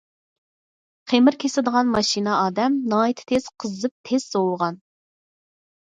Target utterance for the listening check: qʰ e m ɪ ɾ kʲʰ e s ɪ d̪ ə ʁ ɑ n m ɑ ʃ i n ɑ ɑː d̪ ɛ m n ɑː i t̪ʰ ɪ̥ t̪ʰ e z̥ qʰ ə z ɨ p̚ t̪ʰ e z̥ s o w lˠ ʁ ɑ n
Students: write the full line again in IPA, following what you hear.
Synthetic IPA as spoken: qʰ e m ɪ ɾ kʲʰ e s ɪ d̪ ə ʁ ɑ n m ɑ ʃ i n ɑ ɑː d̪ ɛ m n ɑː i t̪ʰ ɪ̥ t̪ʰ e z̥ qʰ ə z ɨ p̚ t̪ʰ e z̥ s o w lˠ ʁ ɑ n